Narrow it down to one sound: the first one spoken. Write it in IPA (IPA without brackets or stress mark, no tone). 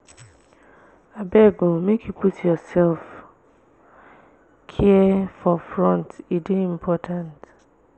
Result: a